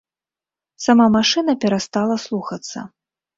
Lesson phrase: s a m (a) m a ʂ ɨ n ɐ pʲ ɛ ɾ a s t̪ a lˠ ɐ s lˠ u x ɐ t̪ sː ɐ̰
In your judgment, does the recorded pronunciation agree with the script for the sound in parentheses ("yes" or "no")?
yes